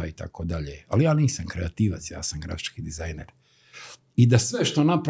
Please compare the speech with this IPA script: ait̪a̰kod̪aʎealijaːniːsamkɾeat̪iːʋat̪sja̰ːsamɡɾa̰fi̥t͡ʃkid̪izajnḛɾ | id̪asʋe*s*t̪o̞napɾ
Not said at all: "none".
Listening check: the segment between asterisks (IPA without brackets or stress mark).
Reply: ʃ